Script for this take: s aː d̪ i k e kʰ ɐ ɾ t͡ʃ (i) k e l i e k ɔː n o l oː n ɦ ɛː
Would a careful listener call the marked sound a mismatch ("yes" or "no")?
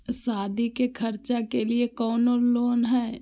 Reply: yes